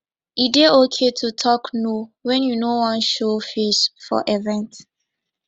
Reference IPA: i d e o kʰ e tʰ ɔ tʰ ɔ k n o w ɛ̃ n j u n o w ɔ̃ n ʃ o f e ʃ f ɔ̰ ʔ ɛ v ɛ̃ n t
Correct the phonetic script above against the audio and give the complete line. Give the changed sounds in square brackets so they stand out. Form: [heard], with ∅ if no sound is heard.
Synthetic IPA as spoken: i d e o kʰ e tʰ [u] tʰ ɔ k n o w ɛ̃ n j u n o w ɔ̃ n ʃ o f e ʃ f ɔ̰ ʔ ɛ v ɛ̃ n t